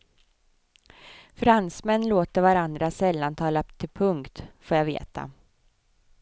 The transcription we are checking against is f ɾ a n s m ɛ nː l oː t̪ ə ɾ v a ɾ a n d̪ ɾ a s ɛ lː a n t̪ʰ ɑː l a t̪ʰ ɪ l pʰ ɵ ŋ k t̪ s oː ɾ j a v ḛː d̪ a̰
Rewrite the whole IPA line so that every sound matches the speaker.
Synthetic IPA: f ɾ a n s m ɛ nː l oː t̪ ə ɾ v a ɾ a n d̪ ɾ a s ɛ lː a n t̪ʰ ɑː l a t̪ʰ ɪ l pʰ ɵ ŋ k t̪ f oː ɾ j a v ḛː t̪ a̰